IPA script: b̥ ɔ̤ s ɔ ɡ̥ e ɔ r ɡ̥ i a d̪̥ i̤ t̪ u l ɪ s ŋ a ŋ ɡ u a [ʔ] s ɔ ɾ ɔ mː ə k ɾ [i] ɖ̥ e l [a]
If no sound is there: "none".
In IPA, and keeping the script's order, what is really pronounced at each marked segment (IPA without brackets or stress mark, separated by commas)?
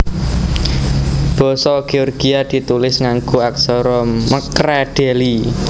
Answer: k, ɛ, i